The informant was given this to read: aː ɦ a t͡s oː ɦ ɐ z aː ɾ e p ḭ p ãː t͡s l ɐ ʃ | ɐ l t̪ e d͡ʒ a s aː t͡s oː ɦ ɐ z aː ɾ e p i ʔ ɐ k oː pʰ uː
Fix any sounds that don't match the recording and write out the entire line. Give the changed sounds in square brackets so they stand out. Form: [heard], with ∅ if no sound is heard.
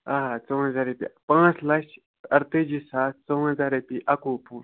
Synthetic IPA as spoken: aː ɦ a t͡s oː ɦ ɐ z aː ɾ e p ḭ p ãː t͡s l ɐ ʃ | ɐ [ɾ] t̪ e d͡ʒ [i] s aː t͡s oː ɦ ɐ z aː ɾ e p i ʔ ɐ k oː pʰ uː